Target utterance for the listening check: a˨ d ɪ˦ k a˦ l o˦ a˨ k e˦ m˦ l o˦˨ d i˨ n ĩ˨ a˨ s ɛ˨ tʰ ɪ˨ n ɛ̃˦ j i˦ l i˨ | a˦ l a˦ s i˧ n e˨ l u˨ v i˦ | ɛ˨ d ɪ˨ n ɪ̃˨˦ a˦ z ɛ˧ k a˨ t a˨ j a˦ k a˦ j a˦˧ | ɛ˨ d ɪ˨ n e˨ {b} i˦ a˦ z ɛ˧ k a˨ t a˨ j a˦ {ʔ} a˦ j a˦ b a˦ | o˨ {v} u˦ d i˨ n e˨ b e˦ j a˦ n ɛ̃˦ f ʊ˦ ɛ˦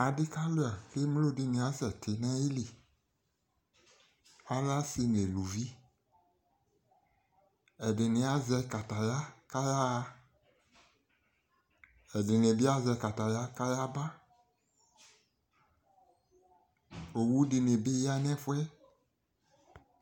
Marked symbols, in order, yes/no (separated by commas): yes, no, no